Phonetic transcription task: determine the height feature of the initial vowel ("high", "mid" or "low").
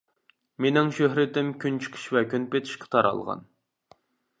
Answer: mid